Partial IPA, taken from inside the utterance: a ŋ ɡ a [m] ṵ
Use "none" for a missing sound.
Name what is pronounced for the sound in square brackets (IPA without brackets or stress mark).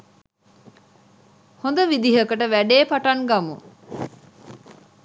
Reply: m